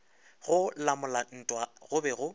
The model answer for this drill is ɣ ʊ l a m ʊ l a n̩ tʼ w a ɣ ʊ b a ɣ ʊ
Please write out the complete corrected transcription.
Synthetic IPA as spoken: ɣ ʊ l a m ʊ l a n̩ tʼ w a ɣ ʊ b ɛ ɣ ʊ